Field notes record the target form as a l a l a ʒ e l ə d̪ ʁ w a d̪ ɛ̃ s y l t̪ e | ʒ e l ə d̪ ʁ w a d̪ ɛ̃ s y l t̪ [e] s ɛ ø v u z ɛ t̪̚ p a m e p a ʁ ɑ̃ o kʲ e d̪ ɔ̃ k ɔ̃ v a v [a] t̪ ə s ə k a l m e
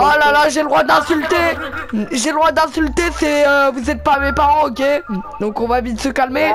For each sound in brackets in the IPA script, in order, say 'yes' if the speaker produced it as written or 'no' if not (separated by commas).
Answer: yes, no